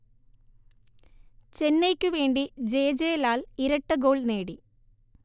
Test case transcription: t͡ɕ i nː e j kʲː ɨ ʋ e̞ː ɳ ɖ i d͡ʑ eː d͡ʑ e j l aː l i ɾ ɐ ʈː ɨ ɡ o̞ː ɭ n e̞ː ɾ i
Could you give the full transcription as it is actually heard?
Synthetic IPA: t͡ɕ e nː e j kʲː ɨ ʋ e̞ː ɳ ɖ i d͡ʑ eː d͡ʑ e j l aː l i ɾ ɐ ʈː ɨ ɡ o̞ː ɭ n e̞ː ɽ i